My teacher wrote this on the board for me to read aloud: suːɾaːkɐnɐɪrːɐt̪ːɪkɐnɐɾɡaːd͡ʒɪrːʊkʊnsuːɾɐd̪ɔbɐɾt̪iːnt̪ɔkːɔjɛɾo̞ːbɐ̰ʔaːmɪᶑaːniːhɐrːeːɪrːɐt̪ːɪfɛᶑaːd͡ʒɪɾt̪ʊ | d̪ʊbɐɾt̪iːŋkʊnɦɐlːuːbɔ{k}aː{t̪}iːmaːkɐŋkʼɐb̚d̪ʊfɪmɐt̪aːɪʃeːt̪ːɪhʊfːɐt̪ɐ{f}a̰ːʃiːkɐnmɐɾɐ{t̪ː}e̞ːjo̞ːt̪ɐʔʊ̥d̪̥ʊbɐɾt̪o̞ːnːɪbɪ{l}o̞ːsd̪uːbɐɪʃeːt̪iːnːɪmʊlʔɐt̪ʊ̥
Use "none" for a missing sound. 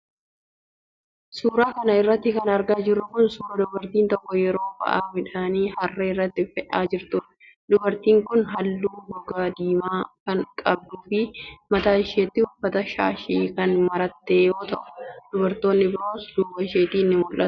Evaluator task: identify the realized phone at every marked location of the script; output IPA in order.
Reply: ɡ, d̪, ʃ, t̪ː, ɾ

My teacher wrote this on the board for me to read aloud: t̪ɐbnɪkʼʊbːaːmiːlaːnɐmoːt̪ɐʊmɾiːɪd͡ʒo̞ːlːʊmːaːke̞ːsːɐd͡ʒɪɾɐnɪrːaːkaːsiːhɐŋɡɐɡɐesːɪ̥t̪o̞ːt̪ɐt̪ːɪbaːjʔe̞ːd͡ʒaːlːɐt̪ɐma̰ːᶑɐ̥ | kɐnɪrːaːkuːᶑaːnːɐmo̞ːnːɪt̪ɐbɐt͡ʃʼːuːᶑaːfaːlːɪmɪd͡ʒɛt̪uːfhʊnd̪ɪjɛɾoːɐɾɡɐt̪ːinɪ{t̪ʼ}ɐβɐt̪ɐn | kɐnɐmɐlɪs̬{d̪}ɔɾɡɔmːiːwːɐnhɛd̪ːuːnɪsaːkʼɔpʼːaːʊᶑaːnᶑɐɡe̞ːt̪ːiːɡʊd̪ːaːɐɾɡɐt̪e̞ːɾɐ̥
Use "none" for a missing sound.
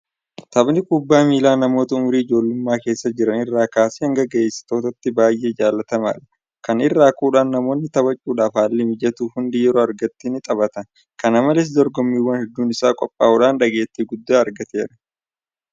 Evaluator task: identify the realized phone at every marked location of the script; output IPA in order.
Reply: t̪ʼ, d̪

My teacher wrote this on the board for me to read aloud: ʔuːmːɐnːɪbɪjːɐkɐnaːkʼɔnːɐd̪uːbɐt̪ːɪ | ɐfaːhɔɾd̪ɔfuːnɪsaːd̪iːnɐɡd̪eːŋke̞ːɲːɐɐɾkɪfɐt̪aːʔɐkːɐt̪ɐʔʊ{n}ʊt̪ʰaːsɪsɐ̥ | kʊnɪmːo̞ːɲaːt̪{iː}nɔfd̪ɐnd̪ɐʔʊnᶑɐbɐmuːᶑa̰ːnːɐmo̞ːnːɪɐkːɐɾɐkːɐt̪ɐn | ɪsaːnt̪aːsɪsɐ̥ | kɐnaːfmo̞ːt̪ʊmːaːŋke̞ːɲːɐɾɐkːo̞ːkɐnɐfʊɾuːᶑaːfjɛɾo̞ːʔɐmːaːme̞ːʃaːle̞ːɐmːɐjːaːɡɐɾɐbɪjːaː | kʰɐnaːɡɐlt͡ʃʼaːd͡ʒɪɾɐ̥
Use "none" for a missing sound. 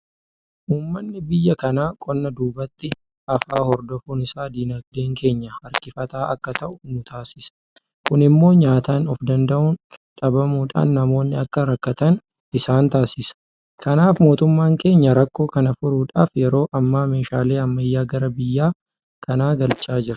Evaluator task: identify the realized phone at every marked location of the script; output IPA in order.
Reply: n, aː

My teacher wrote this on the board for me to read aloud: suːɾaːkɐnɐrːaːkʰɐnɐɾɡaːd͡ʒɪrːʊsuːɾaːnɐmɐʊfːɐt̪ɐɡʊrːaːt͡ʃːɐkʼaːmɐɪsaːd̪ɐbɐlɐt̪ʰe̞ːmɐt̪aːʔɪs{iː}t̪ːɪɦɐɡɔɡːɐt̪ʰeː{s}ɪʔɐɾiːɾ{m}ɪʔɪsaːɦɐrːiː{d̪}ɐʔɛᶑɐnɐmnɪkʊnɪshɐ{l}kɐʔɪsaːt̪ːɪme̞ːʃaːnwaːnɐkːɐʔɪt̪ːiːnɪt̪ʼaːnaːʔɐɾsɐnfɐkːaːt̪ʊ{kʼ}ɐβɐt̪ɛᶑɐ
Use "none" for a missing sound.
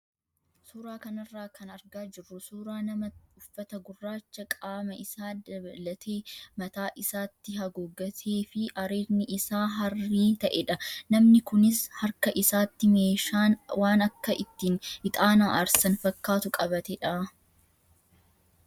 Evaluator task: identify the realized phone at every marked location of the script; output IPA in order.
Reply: aː, f, n, t̪, ɾ, kʼ

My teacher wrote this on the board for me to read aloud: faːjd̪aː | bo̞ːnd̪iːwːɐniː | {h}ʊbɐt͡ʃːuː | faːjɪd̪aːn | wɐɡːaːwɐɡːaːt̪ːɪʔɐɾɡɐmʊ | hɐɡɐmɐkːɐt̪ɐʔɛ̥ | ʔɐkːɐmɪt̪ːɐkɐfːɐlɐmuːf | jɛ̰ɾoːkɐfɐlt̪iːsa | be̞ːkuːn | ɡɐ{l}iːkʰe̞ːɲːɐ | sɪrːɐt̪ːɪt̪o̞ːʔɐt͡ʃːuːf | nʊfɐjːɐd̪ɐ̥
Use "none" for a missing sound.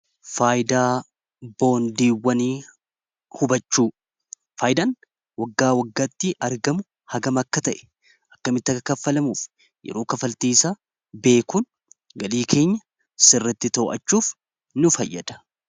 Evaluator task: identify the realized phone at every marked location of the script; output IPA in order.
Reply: h, l

